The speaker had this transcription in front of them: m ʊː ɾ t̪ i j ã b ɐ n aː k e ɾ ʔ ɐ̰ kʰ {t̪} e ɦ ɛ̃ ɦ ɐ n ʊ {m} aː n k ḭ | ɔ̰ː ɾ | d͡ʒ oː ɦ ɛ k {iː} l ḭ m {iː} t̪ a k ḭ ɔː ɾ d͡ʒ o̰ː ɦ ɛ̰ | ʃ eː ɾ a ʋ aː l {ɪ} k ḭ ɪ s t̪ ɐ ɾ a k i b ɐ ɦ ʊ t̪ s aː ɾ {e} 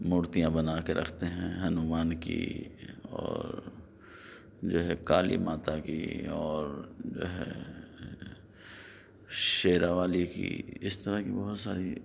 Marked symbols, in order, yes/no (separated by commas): yes, yes, no, no, no, no